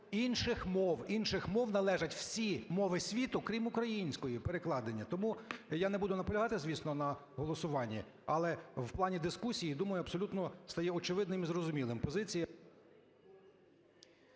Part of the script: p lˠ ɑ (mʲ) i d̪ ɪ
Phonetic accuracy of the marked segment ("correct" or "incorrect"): incorrect